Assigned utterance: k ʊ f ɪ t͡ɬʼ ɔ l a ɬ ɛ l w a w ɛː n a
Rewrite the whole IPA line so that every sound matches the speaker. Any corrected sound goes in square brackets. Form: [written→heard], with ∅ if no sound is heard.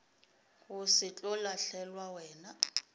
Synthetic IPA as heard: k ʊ [f→s] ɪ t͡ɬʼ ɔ l a ɬ ɛ l w a w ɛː n a